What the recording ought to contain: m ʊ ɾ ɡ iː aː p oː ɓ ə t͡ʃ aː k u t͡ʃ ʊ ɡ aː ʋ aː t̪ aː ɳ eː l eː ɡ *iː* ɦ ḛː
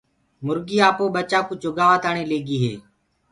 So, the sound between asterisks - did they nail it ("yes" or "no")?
yes